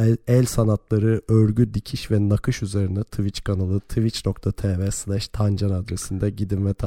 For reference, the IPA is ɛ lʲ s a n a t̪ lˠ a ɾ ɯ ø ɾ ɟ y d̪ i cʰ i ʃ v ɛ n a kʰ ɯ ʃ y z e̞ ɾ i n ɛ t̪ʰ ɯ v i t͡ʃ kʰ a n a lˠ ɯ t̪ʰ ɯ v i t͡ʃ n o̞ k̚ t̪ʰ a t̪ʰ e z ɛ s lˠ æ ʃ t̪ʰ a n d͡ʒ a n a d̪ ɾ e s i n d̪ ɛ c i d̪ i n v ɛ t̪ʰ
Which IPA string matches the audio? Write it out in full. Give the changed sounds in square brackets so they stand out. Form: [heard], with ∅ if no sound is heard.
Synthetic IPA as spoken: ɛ lʲ s a n a t̪ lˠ a ɾ ɯ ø ɾ ɟ y d̪ i cʰ i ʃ v ɛ n a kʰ ɯ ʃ y z e̞ ɾ i n ɛ t̪ʰ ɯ v i t͡ʃ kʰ a n a lˠ ɯ t̪ʰ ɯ v i t͡ʃ n o̞ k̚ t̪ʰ a t̪ʰ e [v] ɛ s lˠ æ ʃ t̪ʰ a n d͡ʒ a n a d̪ ɾ e s i n d̪ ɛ [ɟ] i d̪ i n v ɛ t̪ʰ